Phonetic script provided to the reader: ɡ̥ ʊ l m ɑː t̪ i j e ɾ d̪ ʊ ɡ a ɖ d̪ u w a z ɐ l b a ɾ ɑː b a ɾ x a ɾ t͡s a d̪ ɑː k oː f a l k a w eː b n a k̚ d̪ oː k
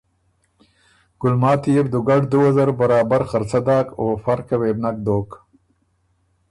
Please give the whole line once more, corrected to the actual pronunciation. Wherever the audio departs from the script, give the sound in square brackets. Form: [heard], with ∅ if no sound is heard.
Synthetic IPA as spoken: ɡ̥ ʊ l m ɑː t̪ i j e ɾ d̪ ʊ ɡ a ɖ d̪ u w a z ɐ [ɾ] b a ɾ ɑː b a ɾ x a ɾ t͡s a d̪ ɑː k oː f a [ɾ] k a w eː b n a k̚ d̪ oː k